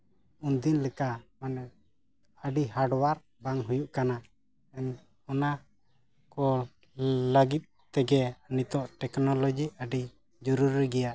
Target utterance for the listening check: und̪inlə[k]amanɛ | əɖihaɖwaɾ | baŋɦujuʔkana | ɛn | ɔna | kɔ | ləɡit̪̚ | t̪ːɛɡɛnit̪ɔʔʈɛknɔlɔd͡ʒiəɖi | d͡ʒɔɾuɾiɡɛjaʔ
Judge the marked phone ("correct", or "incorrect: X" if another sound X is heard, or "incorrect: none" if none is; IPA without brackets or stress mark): correct